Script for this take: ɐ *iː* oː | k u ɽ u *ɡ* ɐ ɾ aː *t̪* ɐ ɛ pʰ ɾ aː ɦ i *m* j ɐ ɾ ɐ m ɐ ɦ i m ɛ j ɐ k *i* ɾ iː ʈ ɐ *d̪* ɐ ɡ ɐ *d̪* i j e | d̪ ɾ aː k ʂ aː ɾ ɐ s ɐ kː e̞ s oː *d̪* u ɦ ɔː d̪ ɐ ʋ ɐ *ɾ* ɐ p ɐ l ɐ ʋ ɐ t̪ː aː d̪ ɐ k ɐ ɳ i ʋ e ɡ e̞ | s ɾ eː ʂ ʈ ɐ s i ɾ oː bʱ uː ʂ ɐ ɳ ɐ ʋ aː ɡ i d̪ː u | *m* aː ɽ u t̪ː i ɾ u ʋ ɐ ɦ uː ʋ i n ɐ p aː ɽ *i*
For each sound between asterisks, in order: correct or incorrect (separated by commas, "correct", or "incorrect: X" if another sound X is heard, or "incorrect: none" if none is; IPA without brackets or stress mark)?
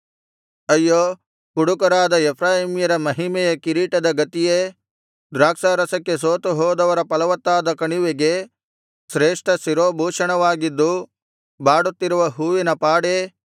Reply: incorrect: jː, incorrect: k, incorrect: d̪, correct, correct, correct, incorrect: t̪, incorrect: t̪, correct, incorrect: b, incorrect: e